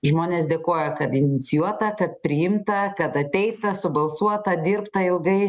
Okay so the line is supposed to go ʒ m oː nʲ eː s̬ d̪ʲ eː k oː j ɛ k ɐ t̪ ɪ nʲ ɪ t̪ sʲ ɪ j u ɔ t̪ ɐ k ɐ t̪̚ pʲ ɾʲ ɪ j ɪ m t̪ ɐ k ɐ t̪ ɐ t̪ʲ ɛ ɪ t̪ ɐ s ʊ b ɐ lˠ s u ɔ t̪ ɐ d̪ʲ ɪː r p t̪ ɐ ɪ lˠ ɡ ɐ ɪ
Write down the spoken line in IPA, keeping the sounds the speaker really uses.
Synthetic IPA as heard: ʒ m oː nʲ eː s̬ d̪ʲ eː k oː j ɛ k ɐ t̪ ɪ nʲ ɪ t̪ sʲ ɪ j u ɔ t̪ ɐ k ɐ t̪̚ pʲ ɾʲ ɪ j ɪ m t̪ ɐ k ɐ t̪ ɐ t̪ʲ ɛ ɪ t̪ ɐ s ʊ b ɐ lˠ s u ɔ t̪ ɐ d̪ʲ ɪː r p t̪ ɐ ɪ lˠ ɡ ɐ ɪ